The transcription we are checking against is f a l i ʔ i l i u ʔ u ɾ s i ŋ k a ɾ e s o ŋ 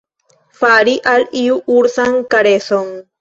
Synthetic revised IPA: f a ɾ i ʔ a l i u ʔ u ɾ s a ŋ k a ɾ e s o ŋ